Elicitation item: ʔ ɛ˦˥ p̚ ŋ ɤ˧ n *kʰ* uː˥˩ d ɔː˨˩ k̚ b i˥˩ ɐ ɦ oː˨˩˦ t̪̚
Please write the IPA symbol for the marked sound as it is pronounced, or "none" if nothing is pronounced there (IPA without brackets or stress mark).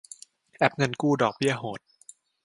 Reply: k